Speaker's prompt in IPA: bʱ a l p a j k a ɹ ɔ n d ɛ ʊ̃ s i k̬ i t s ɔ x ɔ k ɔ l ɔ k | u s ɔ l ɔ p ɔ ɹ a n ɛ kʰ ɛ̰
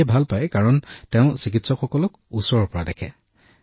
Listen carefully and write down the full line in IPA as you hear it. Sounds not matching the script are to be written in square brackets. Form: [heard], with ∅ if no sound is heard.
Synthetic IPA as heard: bʱ a l p a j k a ɹ ɔ n [t] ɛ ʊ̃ s i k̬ i t s ɔ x ɔ k ɔ l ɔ k | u s ɔ [ɹ] ɔ p ɔ ɹ a [d] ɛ kʰ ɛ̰